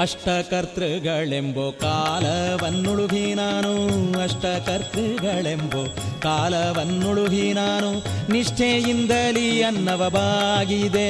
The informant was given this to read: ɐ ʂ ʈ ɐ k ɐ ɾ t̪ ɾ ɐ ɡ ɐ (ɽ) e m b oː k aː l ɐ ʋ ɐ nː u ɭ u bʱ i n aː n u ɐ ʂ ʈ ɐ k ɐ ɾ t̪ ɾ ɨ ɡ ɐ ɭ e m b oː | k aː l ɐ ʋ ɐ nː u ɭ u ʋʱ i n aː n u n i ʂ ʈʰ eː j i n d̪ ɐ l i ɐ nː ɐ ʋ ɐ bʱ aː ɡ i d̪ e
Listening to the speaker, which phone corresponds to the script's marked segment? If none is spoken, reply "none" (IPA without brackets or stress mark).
ɭ